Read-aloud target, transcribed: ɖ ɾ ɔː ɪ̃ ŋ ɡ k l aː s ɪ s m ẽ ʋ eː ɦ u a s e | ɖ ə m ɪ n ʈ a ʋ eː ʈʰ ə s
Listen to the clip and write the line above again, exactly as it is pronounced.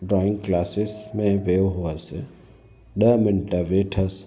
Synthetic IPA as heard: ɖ ɾ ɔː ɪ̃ ŋ ɡ k l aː s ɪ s m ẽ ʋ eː ɦ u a s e | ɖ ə m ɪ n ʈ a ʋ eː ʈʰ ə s

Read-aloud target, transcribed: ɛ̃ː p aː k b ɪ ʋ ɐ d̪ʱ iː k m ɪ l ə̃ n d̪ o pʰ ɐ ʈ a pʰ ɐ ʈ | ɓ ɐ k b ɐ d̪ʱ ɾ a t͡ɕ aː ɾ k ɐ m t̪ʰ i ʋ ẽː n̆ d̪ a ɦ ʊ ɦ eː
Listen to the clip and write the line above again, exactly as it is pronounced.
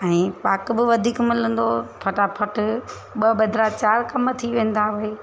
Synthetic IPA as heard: ɛ̃ː p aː k b ɪ ʋ ɐ d̪ʱ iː k m ɪ l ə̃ n d̪ o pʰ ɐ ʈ a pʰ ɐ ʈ | ɓ ɐ b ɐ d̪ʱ ɾ a t͡ɕ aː ɾ k ɐ m t̪ʰ i ʋ ẽː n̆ d̪ a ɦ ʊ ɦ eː

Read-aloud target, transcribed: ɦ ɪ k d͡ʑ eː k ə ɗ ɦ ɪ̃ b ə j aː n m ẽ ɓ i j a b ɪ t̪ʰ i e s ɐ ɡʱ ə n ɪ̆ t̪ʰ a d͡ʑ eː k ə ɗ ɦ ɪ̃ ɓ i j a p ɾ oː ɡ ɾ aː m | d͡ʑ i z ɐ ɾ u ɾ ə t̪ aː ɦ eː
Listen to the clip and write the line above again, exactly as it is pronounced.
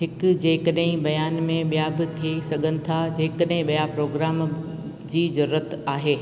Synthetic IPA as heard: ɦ ɪ k d͡ʑ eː k ə ɗ ɦ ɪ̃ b ɐ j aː n m ẽ ɓ i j a b ɪ t̪ʰ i e s ɐ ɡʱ ə n ɪ̆ t̪ʰ a d͡ʑ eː k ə ɗ ɦ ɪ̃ ɓ i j a p ɾ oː ɡ ɾ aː m | d͡ʑ iː z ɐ ɾ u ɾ ə t̪ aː ɦ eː

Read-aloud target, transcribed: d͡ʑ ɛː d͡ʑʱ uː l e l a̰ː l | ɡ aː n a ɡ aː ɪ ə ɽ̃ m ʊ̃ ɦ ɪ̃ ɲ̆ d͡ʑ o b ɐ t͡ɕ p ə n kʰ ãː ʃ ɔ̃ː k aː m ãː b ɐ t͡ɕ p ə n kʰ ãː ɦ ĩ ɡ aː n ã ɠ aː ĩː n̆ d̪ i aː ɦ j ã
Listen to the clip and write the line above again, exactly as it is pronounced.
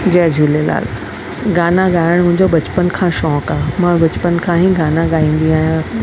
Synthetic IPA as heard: d͡ʑ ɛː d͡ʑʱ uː l e l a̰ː l | ɡ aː n a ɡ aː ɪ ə ɽ̃ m ʊ̃ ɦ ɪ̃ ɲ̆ d͡ʑ o b ɐ t͡ɕ p ə n kʰ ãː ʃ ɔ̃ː k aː m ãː b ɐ t͡ɕ p ə n kʰ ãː ɦ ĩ ɡ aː n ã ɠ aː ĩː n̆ d̪ i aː ɦ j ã

